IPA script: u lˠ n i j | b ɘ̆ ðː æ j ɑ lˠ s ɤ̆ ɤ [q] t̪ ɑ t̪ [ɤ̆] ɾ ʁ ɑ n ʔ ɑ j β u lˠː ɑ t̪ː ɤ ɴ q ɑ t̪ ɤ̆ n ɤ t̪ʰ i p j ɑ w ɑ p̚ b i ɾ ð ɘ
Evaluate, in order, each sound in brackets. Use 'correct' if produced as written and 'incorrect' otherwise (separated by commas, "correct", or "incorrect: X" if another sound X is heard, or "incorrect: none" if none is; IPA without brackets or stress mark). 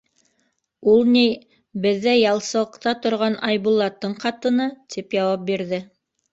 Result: correct, incorrect: ŏ